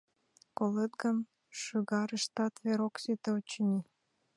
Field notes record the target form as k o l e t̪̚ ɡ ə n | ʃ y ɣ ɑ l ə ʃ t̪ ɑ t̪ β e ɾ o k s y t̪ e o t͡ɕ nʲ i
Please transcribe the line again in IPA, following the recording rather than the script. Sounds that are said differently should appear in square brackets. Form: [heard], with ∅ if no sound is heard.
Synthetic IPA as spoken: k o l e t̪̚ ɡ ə n | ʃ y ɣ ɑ [ɾ] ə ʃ t̪ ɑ t̪ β e ɾ o k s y t̪ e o t͡ɕ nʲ i